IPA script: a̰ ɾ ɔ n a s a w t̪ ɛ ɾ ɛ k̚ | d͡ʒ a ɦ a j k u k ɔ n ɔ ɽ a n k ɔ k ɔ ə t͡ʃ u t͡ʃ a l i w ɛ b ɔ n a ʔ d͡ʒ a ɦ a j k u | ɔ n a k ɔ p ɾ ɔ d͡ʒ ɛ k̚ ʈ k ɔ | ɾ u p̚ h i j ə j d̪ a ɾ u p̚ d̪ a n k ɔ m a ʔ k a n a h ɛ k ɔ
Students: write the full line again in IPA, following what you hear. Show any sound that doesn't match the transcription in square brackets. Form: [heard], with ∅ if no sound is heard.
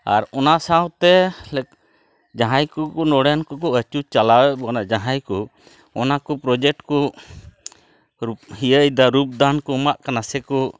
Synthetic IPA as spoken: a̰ ɾ ɔ n a s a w t̪ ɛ [l] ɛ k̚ | d͡ʒ a ɦ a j k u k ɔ n ɔ ɽ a n k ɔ k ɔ ə t͡ʃ u t͡ʃ a l [a] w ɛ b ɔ n a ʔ d͡ʒ a ɦ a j k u | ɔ n a k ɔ p ɾ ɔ d͡ʒ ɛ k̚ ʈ k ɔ | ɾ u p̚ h i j ə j d̪ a ɾ u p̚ d̪ a n k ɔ m a ʔ k a n a [s] ɛ k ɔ